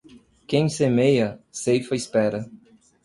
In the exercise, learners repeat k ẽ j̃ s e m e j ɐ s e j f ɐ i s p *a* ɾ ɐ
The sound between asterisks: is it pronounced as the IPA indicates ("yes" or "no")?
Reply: no